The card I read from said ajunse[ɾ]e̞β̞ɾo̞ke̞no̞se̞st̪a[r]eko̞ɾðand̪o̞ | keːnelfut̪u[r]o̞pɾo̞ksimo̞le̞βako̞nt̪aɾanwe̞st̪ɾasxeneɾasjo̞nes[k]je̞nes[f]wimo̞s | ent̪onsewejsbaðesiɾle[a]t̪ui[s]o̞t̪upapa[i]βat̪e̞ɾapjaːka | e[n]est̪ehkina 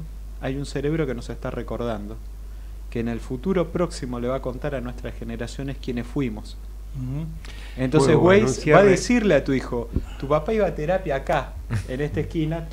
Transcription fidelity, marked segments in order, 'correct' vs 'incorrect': correct, correct, incorrect: ɾ, correct, correct, correct, incorrect: x, correct, correct

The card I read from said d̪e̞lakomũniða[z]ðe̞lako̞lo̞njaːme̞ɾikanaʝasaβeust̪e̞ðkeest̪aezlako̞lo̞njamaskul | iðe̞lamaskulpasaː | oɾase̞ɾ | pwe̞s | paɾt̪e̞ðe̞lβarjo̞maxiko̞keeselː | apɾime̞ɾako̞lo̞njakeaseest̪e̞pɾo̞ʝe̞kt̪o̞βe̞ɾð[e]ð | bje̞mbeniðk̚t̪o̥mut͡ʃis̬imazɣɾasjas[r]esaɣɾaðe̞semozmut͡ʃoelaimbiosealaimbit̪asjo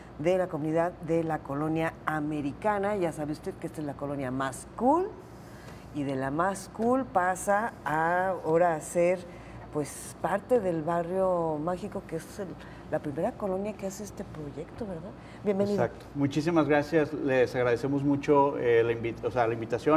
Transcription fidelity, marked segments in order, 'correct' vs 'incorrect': incorrect: ð, incorrect: a, incorrect: l

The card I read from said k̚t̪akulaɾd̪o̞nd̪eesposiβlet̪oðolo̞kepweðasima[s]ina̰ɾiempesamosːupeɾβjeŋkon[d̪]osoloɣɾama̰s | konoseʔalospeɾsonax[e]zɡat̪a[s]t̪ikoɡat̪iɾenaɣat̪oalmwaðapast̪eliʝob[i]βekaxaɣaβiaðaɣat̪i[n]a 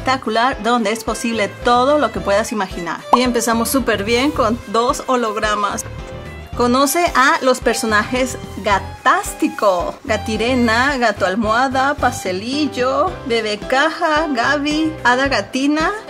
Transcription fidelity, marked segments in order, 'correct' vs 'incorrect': incorrect: x, correct, correct, correct, incorrect: e, correct

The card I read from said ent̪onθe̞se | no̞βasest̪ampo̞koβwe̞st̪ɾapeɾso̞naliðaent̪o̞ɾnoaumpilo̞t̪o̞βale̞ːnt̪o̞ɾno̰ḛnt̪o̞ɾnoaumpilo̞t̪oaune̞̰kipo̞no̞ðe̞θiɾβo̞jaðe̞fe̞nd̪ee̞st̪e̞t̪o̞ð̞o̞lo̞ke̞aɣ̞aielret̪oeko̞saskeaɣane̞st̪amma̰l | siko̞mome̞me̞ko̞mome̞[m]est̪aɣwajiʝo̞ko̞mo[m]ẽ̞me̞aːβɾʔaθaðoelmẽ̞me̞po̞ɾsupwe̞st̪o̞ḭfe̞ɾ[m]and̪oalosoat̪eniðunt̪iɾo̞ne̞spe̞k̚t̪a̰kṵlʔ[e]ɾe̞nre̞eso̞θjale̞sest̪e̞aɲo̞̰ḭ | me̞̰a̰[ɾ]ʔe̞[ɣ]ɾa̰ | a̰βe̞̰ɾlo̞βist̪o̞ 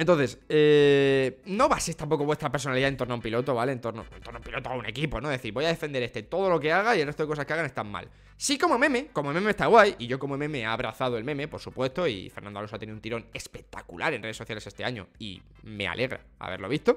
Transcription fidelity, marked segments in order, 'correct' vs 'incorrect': correct, correct, incorrect: n, incorrect: a, incorrect: l, correct

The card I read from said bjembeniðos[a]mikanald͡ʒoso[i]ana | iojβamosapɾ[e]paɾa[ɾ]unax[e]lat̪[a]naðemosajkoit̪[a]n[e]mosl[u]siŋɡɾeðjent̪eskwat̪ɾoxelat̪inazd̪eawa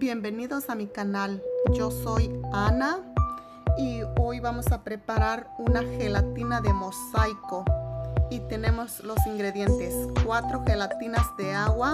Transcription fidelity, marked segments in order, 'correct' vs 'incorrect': correct, incorrect: j, correct, correct, correct, incorrect: i, incorrect: e, correct, incorrect: o

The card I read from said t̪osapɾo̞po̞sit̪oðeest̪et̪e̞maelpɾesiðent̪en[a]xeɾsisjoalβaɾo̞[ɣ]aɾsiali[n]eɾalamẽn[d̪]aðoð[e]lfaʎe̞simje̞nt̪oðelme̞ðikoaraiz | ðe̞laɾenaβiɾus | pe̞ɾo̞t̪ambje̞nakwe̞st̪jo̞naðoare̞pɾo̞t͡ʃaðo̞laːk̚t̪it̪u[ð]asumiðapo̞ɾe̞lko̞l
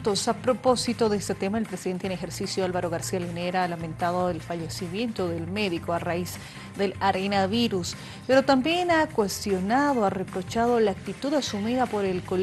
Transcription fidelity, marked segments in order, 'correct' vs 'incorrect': incorrect: e, correct, correct, incorrect: t̪, correct, correct

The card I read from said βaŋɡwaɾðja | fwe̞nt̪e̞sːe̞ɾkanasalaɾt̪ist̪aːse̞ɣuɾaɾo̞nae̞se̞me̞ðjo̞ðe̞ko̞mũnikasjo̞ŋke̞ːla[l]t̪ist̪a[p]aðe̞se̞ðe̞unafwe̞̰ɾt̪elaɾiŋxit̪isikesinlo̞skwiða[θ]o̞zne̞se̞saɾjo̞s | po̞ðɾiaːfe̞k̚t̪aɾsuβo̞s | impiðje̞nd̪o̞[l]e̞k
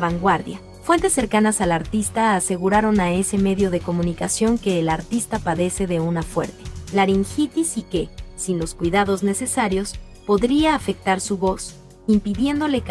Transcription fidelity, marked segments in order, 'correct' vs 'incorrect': incorrect: ɾ, correct, incorrect: ð, correct

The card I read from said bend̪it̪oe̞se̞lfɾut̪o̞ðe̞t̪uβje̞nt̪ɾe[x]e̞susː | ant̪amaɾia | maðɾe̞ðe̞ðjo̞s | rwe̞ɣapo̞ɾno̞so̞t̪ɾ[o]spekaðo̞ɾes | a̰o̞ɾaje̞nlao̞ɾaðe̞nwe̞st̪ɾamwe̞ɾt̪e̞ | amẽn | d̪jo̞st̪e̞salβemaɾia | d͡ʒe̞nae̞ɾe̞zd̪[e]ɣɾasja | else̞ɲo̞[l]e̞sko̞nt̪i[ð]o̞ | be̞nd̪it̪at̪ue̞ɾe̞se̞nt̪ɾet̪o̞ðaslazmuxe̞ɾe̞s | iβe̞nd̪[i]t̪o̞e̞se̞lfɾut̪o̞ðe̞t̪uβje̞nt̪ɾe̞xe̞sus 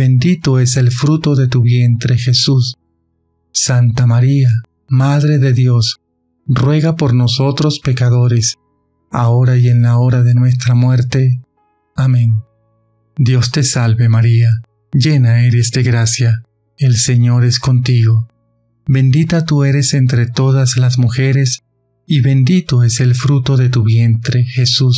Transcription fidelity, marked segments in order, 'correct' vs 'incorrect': correct, correct, correct, incorrect: ɾ, incorrect: ɣ, correct

